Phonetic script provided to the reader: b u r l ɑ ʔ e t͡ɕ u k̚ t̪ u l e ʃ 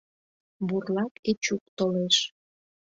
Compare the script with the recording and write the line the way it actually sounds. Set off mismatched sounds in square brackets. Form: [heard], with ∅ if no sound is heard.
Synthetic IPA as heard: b u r l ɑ [k] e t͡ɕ u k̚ t̪ [o] l e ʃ